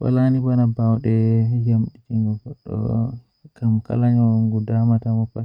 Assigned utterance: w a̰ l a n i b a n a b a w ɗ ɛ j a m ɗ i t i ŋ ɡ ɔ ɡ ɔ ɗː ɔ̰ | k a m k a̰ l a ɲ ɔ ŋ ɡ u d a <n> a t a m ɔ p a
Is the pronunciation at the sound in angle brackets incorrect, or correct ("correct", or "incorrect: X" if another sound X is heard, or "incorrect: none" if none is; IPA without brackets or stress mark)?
incorrect: m